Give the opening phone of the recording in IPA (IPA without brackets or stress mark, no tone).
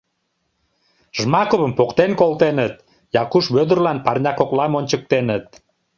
ʒ